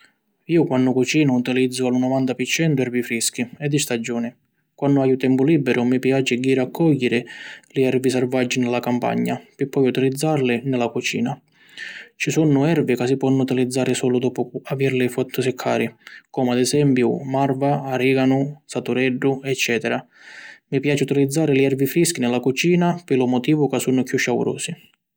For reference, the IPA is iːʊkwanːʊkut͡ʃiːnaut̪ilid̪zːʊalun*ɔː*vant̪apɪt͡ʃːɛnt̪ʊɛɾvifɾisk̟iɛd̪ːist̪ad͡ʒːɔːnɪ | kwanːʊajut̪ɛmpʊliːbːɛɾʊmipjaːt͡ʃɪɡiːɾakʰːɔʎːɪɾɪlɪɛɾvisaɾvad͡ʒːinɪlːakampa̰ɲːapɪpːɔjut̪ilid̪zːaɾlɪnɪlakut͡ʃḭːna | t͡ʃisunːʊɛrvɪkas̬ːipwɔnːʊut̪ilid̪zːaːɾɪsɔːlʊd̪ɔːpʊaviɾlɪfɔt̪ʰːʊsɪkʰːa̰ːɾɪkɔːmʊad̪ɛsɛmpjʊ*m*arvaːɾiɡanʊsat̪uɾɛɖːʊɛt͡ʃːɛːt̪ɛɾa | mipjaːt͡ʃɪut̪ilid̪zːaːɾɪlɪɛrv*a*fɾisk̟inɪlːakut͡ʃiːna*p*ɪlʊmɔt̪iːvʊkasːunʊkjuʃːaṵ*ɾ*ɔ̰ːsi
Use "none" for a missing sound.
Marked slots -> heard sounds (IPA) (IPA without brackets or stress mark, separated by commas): ɔ, m, i, p, ɾ